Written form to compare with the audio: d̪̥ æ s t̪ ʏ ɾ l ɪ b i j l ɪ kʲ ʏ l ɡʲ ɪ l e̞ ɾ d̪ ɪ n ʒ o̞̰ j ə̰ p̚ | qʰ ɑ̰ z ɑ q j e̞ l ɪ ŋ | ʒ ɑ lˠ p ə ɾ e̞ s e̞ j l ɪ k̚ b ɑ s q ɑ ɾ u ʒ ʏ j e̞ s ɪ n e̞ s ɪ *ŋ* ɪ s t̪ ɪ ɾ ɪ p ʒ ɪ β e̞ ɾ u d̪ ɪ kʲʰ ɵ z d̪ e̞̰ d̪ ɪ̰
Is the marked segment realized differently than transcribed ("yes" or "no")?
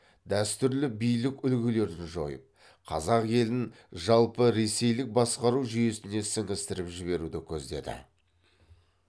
no